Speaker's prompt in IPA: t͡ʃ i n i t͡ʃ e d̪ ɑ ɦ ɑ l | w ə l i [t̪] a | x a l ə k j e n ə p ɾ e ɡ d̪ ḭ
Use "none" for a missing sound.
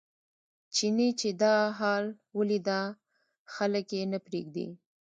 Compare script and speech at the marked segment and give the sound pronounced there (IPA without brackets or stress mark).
d̪